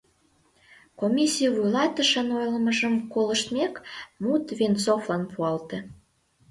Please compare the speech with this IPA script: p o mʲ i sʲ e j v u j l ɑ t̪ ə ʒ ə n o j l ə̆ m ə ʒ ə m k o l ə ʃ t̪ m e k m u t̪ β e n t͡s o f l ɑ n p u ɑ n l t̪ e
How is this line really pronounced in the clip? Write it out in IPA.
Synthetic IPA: k o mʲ i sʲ i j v u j l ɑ t̪ ə ʃ ə n o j l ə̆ m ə ʒ ə m k o l ə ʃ t̪ m e k m u t̪ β e n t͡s o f l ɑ n p u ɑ l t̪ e